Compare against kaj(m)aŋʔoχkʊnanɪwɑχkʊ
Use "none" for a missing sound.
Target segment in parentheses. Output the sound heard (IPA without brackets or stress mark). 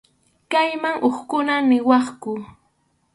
m